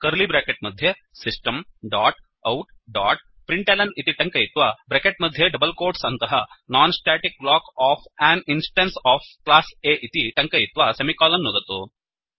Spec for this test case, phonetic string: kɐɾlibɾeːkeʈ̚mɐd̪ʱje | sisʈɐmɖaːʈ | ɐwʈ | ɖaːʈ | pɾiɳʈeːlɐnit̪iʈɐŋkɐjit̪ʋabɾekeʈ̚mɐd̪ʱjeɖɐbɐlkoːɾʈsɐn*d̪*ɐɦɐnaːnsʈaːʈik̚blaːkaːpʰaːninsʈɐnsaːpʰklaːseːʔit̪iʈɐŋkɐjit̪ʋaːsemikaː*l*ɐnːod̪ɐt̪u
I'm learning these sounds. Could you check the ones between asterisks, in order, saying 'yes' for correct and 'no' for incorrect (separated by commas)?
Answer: no, yes